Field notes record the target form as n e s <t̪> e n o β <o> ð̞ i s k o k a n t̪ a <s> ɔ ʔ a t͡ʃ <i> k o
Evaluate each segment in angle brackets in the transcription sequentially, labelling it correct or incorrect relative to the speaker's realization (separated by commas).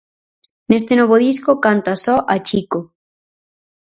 correct, correct, correct, correct